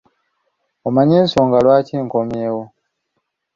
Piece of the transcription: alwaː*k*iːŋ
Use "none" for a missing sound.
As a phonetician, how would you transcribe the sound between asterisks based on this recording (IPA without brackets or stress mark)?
c